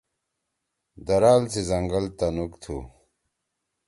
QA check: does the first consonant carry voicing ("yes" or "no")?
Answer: yes